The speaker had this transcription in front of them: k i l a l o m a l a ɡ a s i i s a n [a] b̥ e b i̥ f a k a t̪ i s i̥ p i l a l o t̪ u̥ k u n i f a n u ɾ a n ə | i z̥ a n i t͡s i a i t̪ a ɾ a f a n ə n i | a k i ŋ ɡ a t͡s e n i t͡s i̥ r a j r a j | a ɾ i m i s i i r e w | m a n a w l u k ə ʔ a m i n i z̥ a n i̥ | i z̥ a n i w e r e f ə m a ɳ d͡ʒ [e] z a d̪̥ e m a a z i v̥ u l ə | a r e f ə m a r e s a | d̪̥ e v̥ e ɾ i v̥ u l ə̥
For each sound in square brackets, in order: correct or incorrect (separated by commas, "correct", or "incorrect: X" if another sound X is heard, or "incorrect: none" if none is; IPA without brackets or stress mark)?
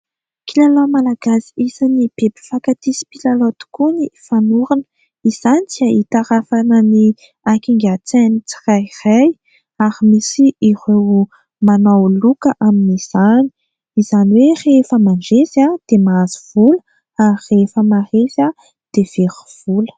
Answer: incorrect: i, correct